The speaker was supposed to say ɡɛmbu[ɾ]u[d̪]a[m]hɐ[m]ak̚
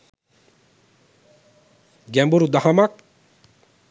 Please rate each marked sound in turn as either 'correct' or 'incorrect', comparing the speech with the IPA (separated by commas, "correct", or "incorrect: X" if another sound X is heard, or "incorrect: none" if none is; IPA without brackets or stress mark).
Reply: correct, correct, incorrect: none, correct